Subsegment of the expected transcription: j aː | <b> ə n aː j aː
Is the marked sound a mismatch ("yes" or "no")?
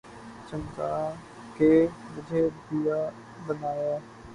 no